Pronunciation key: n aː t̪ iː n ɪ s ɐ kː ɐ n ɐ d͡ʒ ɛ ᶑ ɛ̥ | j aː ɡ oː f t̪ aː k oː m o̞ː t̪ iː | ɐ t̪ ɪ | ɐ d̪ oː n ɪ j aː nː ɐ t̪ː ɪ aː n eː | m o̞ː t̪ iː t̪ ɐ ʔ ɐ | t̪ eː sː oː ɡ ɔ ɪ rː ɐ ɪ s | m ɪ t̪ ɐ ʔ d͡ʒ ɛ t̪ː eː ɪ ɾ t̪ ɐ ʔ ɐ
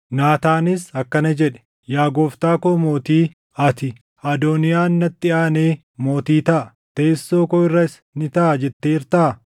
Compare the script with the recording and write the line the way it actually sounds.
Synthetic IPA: n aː t̪ aː n ɪ s ɐ kː ɐ n ɐ d͡ʒ ɛ ᶑ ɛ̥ | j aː ɡ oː f t̪ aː k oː m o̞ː t̪ iː | ɐ t̪ ɪ | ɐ d̪ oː n ɪ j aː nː ɐ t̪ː ɪ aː n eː | m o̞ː t̪ iː t̪ ɐ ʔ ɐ | t̪ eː sː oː k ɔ ɪ rː ɐ ɪ s | n ɪ t̪ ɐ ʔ d͡ʒ ɛ t̪ː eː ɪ ɾ t̪ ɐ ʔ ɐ